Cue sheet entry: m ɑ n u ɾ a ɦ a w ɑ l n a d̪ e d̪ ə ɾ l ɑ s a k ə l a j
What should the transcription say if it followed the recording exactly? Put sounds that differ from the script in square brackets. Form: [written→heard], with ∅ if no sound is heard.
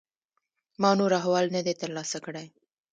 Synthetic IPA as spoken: m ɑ n [u→o] ɾ a ɦ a w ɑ l n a d̪ e [d̪→t̪] ə ɾ l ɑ s a k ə [l→ɽ] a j